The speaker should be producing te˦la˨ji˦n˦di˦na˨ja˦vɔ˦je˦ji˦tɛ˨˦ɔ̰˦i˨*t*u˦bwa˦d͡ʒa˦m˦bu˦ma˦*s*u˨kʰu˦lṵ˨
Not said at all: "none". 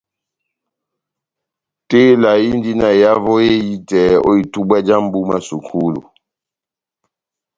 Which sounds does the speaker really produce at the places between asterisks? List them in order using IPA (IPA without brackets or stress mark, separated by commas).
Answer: t, s